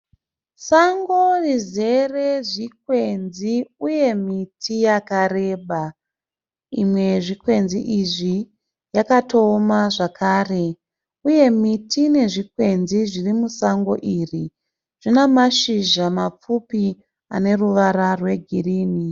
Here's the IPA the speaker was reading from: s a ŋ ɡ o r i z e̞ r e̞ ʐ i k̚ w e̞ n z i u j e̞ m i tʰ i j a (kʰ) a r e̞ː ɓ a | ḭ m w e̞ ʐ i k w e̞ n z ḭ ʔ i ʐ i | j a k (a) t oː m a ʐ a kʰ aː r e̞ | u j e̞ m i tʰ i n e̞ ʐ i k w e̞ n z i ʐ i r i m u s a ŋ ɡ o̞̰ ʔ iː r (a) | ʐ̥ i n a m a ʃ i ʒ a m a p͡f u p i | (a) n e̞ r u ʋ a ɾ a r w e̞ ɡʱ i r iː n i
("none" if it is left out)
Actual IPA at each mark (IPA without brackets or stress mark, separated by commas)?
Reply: k, a, i, a